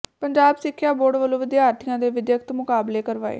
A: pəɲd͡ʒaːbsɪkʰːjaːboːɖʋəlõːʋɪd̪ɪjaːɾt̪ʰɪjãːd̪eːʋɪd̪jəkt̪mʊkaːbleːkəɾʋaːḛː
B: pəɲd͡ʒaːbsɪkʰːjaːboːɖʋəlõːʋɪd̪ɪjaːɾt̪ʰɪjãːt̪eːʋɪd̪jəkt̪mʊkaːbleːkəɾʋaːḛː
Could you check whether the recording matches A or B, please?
A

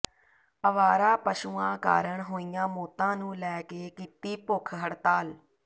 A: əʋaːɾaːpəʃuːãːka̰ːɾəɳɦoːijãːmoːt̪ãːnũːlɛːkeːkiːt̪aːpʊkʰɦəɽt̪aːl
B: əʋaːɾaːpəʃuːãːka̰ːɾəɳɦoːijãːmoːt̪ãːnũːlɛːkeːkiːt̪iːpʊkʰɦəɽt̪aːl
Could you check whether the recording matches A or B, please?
B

